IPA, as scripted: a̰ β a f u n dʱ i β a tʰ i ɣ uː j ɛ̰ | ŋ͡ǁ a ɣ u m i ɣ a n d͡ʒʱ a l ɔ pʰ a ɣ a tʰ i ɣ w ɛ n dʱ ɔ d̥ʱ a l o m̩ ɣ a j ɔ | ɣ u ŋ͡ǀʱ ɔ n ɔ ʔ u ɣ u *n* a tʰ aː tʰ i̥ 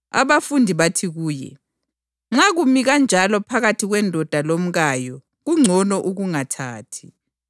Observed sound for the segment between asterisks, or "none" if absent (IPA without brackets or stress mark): ŋ